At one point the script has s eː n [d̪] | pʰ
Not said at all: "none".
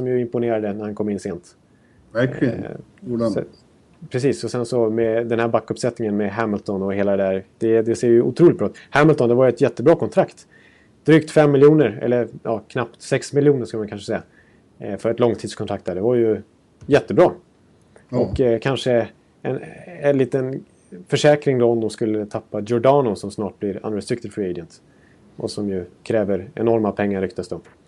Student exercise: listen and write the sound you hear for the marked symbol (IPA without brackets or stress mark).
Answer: t̪